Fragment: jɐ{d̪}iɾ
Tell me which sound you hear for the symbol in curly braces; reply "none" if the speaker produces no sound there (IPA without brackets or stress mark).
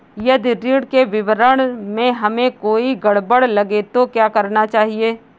d̪